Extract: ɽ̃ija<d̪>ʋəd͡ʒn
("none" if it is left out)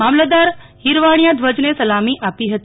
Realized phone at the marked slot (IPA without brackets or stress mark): d̪